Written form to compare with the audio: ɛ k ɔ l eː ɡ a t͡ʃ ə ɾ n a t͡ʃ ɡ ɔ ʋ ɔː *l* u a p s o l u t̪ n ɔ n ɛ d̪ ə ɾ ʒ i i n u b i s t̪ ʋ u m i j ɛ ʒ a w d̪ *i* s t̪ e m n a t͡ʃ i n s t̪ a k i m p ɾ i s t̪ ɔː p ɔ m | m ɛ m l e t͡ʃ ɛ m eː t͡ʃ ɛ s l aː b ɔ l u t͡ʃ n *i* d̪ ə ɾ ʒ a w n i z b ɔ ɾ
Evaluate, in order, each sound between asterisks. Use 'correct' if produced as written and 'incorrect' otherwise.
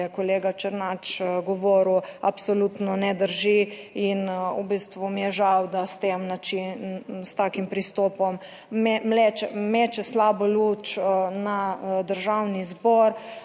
incorrect, incorrect, incorrect

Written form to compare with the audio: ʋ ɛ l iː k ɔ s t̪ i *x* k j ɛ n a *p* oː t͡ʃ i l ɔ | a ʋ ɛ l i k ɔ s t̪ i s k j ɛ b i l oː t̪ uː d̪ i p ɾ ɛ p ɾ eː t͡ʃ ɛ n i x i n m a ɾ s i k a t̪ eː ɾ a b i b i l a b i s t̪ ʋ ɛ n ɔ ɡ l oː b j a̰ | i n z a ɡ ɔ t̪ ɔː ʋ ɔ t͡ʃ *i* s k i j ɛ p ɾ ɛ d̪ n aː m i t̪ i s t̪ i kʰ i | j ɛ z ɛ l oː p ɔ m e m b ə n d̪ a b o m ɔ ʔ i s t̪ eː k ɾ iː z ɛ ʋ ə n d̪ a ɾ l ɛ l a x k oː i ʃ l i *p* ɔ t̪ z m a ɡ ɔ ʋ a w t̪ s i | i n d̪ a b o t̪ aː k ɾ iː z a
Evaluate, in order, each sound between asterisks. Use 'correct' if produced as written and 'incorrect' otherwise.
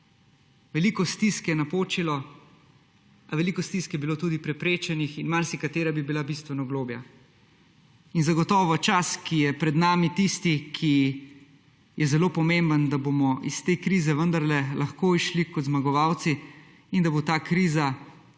incorrect, correct, incorrect, incorrect

